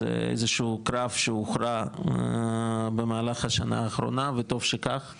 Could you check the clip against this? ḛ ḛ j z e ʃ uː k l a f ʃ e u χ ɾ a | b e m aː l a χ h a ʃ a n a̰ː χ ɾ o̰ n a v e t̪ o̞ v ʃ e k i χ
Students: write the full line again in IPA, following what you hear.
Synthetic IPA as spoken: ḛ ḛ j z e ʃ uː k ɾ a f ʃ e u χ ɾ a | b e m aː l a χ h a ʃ a n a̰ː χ ɾ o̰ n a v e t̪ o̞ v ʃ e k a χ

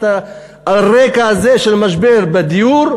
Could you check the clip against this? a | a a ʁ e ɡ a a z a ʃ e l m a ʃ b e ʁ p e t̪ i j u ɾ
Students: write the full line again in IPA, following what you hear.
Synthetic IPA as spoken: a | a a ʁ e k a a z e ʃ e l m a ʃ b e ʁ b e d̪ i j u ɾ

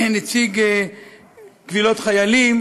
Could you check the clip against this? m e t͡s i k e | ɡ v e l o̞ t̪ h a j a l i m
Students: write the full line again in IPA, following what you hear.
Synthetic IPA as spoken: n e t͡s i ɡ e | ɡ v i l o̞ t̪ χ a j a l i m

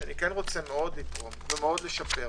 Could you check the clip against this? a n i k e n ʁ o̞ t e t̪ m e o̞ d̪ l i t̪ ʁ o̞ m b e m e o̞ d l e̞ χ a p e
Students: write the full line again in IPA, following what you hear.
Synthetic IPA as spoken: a n i k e n ʁ o̞ t͡s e m e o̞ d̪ l i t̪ ʁ o̞ m v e m e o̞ d l e̞ ʃ a p e

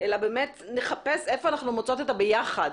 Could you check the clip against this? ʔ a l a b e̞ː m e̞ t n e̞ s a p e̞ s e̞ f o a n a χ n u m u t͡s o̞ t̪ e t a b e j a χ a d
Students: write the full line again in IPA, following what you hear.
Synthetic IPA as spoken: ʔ e l a b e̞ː m e̞ t n e̞ χ a p e̞ s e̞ f o a n a χ n u m o t͡s o̞ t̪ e t a b e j a χ a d

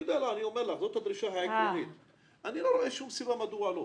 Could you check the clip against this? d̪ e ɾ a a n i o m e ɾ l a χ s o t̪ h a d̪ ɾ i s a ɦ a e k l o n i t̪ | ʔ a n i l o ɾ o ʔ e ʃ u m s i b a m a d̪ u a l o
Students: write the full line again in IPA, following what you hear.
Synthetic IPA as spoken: d̪ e l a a n i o m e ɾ l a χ z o t̪ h a d̪ ɾ i ʃ a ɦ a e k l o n i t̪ | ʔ a n i l o ɾ o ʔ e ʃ u m s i b a m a d̪ u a l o

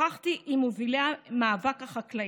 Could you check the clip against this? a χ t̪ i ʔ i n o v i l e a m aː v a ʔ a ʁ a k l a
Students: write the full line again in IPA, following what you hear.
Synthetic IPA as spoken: a χ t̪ i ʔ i m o v i l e a m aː v a k a χ a k l a

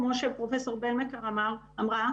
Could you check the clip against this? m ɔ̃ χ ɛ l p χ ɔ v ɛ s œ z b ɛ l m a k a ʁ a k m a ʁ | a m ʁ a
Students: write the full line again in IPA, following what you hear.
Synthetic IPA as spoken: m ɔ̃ ʃ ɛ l p χ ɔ f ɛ s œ ʁ b ɛ l m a k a ʁ a m a ʁ | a m ʁ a

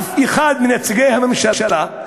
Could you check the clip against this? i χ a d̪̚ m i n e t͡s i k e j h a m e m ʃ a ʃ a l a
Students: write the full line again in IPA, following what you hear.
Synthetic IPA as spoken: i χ a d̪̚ m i n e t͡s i ɡ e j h a m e m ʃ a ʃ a l a

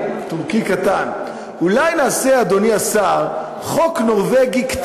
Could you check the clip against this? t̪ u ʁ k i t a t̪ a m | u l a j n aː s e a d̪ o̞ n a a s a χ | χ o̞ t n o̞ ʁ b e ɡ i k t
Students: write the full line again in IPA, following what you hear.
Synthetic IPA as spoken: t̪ u ʁ k i k a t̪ a n | u l a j n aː s e a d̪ o̞ n i a s a ʁ | χ o̞ k n o̞ ʁ v e ɡ i k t

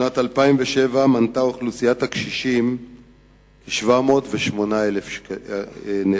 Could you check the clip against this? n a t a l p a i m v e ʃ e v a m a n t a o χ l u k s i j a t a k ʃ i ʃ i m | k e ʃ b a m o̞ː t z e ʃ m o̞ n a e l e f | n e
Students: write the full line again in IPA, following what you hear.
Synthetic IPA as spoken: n a t a l p a i m v e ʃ e v a m a n t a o χ l u s i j a t a k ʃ i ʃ i m | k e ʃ v a m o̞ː t v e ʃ m o̞ n a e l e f | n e

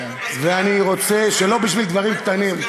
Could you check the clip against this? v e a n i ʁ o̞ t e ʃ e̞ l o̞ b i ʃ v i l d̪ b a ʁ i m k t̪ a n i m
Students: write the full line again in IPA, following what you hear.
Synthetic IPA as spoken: v e a n i ʁ o̞ t͡s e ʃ e̞ l o̞ b i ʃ v i l d̪ v a ʁ i m k t̪ a n i m

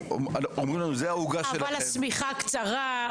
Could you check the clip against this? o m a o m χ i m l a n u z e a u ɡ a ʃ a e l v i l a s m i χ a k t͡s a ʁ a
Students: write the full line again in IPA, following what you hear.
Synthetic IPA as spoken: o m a o m ʁ i m l a n u z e a u ɡ a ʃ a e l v a l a s m i χ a k t͡s a ʁ a

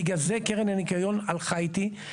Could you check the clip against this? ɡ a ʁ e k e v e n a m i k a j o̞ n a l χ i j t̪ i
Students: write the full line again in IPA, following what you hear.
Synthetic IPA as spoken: ɡ a z e k e ʁ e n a n i k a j o̞ n a l χ a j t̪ i

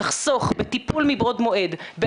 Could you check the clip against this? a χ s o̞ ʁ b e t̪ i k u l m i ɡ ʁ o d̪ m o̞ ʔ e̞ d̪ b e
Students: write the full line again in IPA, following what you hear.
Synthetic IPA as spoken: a χ s o̞ χ b e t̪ i p u l m i b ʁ o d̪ m o̞ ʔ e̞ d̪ b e

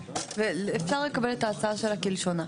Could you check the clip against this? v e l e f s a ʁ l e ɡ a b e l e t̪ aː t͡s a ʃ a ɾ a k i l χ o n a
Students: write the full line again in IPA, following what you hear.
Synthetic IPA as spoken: v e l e f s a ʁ l e k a b e l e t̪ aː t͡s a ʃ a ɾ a k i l ʃ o n a

